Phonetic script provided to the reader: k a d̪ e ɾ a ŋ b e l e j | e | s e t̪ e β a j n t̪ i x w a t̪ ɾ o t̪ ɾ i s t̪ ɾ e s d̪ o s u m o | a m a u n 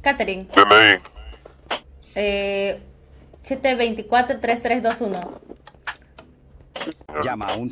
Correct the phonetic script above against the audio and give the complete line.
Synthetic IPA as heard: k a t̪ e ɾ i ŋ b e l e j | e | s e t̪ e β e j n t̪ i k w a t̪ ɾ o t̪ ɾ e s t̪ ɾ e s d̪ o s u n o | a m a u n